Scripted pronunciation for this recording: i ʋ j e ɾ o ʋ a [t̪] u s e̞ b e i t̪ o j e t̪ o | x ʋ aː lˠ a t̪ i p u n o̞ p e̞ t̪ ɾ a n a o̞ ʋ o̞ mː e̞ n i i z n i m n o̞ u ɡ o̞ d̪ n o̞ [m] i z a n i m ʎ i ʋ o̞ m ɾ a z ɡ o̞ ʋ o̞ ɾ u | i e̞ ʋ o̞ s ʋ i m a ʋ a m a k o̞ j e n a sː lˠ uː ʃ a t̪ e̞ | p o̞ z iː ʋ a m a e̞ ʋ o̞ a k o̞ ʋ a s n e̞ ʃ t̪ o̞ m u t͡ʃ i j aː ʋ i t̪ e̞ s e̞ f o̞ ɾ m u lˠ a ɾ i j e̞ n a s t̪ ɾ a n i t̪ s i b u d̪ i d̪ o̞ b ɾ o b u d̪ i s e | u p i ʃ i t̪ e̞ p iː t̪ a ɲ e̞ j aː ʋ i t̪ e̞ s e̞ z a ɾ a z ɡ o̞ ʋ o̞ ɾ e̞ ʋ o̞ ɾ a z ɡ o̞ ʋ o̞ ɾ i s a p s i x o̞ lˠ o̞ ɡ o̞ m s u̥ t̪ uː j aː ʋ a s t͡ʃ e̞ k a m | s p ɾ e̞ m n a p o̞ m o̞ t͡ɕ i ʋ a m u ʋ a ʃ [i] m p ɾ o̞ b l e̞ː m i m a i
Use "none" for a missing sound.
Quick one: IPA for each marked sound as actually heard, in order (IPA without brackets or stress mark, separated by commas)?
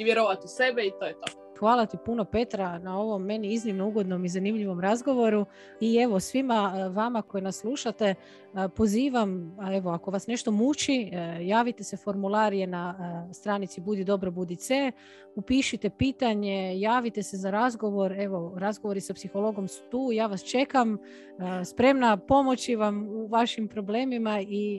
t̪, m, i